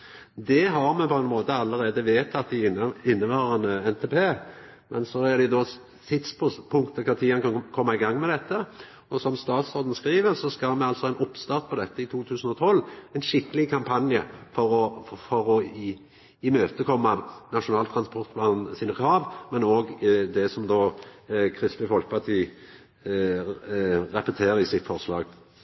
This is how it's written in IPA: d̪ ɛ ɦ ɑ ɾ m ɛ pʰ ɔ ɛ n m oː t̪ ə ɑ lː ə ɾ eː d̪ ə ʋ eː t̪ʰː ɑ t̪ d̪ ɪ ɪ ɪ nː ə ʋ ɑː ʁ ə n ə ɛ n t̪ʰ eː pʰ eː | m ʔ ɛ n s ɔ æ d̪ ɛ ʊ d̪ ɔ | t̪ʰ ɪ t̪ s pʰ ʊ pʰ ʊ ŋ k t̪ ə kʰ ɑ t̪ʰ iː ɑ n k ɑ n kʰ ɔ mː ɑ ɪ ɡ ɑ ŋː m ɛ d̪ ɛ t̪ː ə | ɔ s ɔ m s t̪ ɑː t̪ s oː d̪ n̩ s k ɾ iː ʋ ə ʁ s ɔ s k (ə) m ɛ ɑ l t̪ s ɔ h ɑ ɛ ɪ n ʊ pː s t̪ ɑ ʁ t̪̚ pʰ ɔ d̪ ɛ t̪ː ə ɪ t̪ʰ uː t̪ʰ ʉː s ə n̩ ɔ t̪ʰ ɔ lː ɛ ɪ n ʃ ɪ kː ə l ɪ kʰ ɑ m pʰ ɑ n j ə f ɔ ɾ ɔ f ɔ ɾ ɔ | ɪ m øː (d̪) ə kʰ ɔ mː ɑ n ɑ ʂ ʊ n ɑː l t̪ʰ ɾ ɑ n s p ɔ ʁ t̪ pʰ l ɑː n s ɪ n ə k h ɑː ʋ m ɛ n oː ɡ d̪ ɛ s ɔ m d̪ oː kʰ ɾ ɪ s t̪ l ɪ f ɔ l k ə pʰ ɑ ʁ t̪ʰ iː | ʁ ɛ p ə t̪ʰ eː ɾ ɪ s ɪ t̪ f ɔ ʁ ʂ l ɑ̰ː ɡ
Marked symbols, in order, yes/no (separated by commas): no, no